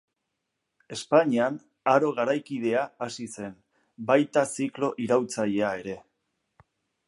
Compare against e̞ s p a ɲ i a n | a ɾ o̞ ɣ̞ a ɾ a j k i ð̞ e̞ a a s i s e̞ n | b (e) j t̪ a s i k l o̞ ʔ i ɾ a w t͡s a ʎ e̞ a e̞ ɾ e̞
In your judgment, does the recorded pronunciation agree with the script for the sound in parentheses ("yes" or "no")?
no